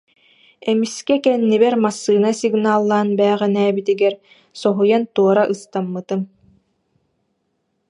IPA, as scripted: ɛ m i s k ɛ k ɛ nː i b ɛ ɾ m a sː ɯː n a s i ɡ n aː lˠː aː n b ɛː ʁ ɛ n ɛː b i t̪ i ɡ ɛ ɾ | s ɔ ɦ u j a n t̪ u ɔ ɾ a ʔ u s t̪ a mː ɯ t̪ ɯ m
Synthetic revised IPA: ɛ m i s k ɛ k ɛ nː i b ɛ ɾ m a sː ɯː n a s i ɡ n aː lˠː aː n b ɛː ʁ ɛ n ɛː b i t̪ i ɡ ɛ ɾ | s ɔ ɦ u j a n t̪ u ɔ ɾ a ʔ ɯ s t̪ a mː ɯ t̪ ɯ m